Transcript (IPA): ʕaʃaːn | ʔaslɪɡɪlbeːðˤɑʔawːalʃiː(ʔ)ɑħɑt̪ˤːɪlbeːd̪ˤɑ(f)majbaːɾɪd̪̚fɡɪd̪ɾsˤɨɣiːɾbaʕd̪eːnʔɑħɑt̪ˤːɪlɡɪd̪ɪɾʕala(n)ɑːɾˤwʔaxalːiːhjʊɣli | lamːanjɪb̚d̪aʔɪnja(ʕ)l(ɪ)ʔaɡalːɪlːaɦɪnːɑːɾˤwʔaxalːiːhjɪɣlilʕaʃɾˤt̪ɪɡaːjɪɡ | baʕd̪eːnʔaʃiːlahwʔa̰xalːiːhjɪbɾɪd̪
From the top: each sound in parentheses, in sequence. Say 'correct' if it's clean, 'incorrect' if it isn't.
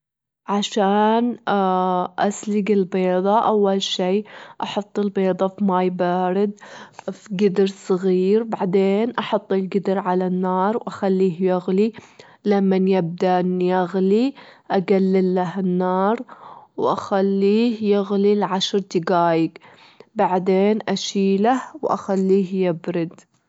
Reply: correct, correct, incorrect, incorrect, incorrect

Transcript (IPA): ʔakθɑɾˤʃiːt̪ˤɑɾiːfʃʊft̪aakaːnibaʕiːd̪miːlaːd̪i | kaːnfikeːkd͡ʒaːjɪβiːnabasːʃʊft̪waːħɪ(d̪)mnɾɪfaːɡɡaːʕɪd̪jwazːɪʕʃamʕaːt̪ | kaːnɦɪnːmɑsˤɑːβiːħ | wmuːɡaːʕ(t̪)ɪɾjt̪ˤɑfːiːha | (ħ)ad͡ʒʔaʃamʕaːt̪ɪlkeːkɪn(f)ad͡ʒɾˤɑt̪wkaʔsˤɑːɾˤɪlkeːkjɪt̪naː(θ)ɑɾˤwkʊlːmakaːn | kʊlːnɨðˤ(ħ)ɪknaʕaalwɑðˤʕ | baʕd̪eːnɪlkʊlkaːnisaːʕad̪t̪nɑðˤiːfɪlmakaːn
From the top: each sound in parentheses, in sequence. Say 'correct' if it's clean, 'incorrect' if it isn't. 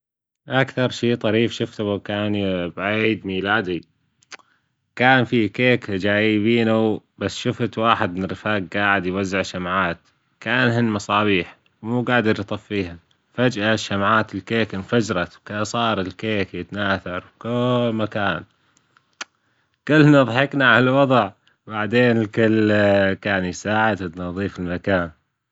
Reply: correct, incorrect, incorrect, correct, correct, correct

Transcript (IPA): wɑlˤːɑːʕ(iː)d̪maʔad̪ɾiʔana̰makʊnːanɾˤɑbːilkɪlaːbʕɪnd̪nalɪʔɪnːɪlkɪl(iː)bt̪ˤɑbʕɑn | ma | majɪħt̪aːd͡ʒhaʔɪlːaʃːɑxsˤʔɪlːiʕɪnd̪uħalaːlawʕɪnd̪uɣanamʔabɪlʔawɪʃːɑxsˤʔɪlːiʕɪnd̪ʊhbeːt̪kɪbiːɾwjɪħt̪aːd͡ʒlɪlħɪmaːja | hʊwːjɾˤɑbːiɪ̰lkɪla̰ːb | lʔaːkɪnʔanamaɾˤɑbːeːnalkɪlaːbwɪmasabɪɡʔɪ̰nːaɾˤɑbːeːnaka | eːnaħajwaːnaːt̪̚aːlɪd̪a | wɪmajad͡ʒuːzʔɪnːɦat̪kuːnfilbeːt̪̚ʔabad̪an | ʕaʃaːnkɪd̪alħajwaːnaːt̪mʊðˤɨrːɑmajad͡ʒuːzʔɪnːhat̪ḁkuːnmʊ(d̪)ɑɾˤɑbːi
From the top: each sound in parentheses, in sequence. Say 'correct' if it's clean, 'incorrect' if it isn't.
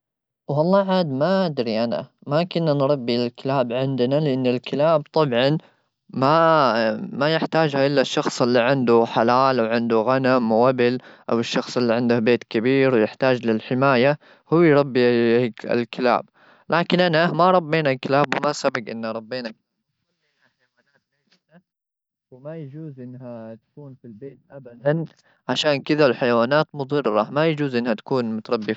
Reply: incorrect, incorrect, incorrect

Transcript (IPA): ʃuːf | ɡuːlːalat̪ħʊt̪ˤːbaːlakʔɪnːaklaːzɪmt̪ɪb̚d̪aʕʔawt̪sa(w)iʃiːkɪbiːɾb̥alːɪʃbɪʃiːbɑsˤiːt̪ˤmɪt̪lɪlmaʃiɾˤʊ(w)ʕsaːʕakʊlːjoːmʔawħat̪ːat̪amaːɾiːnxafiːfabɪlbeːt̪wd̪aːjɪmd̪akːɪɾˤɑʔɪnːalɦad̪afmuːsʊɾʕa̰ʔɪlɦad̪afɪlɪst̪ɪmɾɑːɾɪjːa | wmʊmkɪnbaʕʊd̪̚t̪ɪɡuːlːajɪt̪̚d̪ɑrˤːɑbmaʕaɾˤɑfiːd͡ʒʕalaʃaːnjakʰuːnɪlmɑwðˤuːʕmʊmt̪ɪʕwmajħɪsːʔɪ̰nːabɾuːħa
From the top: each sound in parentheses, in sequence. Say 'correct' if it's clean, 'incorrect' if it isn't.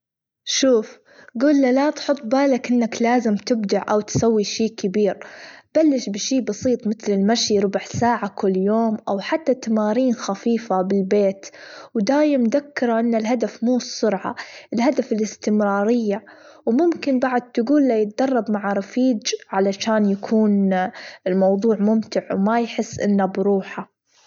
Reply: incorrect, incorrect

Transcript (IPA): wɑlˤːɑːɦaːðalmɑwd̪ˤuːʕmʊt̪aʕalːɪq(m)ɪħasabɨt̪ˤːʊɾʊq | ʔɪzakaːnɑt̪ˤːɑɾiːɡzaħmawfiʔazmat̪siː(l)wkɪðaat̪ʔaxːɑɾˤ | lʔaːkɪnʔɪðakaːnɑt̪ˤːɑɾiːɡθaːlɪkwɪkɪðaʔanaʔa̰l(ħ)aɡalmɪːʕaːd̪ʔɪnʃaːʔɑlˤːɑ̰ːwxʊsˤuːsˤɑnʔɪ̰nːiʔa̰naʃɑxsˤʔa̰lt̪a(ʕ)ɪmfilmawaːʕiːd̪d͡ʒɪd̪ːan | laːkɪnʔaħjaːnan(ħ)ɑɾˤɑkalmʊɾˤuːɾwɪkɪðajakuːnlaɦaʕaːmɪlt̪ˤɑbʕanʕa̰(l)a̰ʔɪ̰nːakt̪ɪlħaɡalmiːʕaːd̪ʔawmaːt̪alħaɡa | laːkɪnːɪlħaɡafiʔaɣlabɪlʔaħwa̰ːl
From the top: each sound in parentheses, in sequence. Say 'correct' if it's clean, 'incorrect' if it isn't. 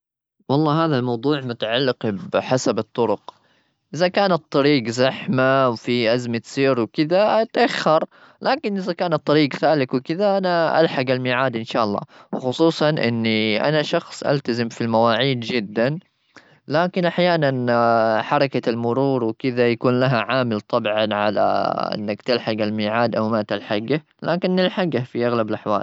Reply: incorrect, incorrect, correct, incorrect, correct, correct

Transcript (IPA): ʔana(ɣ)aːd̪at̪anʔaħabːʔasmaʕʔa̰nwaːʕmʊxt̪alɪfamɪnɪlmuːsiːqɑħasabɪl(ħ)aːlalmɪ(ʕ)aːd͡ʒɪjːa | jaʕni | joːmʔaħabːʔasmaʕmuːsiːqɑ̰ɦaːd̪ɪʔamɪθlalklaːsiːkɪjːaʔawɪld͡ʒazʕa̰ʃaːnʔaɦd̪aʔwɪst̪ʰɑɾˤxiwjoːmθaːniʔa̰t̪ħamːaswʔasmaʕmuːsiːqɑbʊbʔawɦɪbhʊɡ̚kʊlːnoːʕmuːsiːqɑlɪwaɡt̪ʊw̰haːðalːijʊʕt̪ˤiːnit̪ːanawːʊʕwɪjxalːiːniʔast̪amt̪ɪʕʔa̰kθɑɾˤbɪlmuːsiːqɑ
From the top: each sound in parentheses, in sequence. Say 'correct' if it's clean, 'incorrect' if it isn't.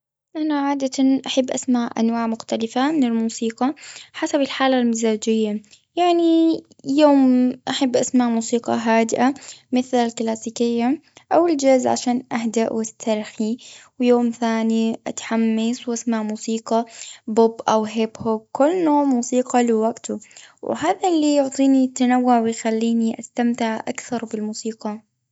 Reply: incorrect, correct, incorrect

